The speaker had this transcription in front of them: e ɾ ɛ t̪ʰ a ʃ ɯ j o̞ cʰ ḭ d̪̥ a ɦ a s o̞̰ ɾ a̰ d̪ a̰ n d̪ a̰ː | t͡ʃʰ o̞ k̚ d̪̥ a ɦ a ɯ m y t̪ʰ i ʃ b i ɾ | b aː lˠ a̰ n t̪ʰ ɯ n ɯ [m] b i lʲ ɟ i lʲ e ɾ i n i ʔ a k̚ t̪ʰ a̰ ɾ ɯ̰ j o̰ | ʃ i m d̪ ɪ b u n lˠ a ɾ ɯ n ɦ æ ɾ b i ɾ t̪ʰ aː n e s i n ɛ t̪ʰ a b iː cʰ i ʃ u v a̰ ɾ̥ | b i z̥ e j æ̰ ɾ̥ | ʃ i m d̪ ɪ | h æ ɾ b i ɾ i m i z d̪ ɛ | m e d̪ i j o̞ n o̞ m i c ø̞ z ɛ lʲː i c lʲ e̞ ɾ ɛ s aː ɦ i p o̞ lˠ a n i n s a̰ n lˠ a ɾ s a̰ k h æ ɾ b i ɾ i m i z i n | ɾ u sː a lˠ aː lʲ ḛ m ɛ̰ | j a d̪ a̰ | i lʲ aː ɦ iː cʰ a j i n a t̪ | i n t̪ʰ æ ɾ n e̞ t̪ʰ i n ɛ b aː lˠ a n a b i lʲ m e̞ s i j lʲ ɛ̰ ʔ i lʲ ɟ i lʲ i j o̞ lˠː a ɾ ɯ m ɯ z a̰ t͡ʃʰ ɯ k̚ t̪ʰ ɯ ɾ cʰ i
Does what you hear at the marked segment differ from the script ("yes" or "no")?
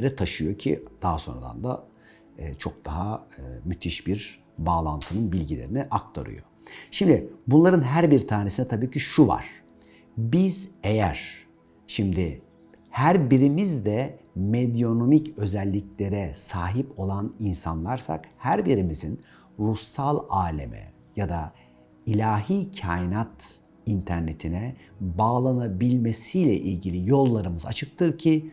yes